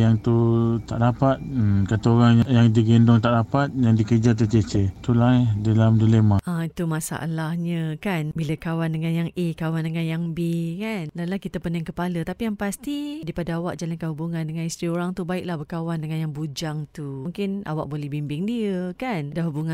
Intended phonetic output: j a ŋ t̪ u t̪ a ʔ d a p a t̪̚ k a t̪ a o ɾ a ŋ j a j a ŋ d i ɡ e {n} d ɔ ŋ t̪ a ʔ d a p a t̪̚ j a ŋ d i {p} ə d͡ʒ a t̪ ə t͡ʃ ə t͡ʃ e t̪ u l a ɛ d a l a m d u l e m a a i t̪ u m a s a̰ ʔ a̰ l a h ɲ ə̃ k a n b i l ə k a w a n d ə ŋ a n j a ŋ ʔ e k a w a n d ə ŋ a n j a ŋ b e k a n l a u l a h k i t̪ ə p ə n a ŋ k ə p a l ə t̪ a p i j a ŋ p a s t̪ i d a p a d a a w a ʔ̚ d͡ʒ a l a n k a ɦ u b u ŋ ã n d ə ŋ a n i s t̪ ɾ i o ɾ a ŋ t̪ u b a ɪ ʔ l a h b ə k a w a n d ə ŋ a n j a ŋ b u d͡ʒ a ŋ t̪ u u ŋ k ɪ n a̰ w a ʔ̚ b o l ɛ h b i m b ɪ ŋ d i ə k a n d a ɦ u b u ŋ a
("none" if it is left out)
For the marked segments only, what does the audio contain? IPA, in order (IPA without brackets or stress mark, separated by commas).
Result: n, k